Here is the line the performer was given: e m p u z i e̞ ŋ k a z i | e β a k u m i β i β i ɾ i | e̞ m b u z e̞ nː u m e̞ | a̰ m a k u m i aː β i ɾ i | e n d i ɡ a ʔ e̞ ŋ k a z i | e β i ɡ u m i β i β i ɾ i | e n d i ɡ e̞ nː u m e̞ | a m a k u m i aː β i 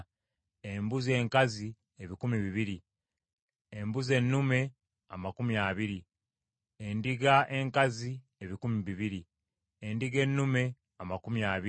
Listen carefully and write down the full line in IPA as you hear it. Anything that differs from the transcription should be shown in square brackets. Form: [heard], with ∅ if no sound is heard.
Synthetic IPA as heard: e m [b] u z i e̞ ŋ k a z i | e β [i] k u m i β i β i ɾ i | e̞ m b u z e̞ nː u m e̞ | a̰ m a k u m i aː β i ɾ i | e n d i ɡ a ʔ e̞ ŋ k a z i | e β i [k] u m i β i β i ɾ i | e n d i ɡ e̞ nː u m e̞ | a m a k u m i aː β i